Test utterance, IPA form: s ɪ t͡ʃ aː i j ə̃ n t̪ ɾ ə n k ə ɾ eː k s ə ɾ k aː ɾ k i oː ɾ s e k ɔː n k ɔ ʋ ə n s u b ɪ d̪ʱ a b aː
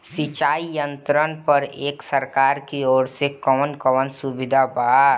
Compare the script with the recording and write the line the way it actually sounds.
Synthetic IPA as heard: s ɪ t͡ʃ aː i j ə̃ n t̪ ɾ ə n p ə ɾ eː k s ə ɾ k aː ɾ k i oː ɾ s e k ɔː n k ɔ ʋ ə n s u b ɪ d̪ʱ a b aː